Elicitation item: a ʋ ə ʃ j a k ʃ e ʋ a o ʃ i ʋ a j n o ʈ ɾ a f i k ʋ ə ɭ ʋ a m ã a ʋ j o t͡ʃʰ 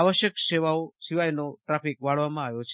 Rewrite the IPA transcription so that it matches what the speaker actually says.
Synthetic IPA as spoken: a ʋ ə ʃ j ə k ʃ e ʋ a o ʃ i ʋ a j n o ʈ ɾ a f i k ʋ a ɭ ʋ a m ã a ʋ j o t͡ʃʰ